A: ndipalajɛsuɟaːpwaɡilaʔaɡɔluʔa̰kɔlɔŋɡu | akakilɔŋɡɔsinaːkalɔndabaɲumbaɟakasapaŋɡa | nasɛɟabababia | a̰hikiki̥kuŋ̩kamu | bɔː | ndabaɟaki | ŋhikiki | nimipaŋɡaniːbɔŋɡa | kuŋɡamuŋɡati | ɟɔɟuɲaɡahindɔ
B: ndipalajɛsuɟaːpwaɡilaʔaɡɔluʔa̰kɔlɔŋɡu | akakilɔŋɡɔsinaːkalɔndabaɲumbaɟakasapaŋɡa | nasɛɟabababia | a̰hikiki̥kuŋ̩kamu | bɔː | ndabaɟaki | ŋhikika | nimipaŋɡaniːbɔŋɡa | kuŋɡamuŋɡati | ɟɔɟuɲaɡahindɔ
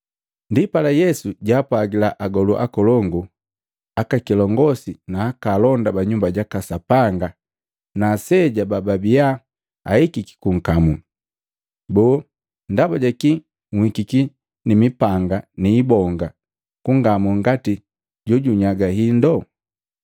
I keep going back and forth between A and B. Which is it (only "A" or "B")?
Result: A